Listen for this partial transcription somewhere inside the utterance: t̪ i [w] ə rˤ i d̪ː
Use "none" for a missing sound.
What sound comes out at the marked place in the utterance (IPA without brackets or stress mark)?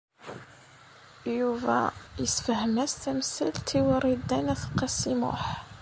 w